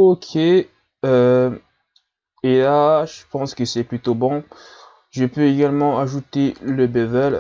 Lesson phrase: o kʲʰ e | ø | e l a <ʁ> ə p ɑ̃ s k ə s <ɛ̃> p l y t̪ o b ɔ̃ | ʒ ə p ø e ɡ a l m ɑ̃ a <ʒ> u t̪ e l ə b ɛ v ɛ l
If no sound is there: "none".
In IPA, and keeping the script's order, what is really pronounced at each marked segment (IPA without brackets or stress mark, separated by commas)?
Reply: ʒ, ɛ, ʒ